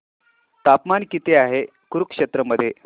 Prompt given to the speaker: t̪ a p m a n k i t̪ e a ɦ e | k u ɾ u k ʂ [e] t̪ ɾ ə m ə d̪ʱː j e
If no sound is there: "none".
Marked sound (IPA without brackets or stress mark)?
e